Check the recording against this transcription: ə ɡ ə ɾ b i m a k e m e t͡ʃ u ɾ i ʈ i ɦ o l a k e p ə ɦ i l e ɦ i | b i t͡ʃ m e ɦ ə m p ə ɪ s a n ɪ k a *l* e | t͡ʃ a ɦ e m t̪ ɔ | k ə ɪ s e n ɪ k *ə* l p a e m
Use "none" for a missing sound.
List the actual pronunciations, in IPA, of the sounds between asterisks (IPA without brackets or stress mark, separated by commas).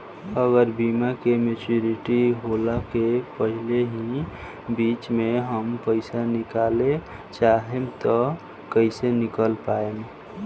l, ə